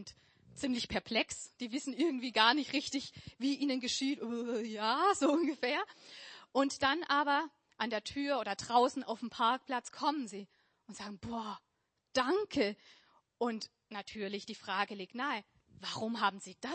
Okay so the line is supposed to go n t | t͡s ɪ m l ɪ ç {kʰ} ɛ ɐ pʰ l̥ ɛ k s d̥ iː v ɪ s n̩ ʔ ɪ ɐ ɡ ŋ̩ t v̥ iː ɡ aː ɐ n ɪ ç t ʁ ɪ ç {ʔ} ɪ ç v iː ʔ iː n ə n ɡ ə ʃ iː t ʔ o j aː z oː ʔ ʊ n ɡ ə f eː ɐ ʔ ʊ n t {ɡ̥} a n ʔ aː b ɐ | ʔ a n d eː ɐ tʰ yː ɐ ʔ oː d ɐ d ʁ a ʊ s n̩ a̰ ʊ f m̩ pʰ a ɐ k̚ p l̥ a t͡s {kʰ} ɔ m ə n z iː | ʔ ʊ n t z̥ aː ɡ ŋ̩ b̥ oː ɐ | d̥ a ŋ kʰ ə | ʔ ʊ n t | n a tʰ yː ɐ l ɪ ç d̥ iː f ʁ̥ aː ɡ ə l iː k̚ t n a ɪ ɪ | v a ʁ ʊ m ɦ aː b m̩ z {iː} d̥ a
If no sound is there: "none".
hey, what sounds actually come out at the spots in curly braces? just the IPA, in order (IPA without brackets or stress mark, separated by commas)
pʰ, t, d̥, kʰ, iː